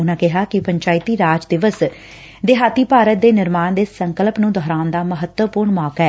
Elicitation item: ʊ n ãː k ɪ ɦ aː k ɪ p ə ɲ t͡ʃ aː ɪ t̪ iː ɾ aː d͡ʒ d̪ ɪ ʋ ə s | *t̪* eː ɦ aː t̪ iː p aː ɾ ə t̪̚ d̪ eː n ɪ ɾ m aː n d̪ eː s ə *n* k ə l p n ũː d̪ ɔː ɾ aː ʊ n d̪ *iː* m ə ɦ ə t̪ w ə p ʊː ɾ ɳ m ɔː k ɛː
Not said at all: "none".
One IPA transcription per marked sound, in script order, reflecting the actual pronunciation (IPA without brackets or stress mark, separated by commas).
d̪, ŋ, aː